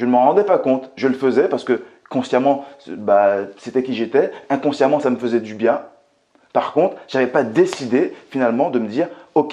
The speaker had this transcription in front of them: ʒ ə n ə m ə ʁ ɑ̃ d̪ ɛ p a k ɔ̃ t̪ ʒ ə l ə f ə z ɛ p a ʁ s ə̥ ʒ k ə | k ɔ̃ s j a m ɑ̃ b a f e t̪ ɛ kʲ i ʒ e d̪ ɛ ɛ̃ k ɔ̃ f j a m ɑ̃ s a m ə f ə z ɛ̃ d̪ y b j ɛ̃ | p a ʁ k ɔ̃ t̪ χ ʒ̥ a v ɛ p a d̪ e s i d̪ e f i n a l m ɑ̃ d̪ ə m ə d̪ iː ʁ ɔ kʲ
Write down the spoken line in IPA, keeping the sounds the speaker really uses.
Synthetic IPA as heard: ʒ ə n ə m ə ʁ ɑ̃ d̪ ɛ p a k ɔ̃ t̪ ʒ ə l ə f ə z ɛ p a ʁ s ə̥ k ə | k ɔ̃ s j a m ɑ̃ b a s e t̪ ɛ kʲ i ʒ e t̪ ɛ ɛ̃ k ɔ̃ s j a m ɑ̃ s a m ə f ə z ɛ d̪ y b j ɛ̃ | p a ʁ k ɔ̃ t̪ χ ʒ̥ a v ɛ p a d̪ e s i d̪ e f i n a l m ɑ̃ d̪ ə m ə d̪ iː ʁ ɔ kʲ